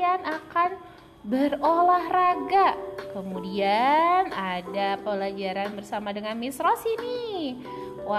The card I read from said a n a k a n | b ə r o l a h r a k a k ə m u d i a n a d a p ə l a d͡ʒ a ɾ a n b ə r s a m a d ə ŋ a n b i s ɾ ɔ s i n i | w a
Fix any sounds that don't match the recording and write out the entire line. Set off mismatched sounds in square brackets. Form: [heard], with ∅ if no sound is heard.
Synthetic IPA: a n a k a n | b ə r o l a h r a [ɡ] a k ə m u d i a n a d a p ə l a d͡ʒ a ɾ a n b ə r s a m a d ə ŋ a n [m] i s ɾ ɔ s i n i | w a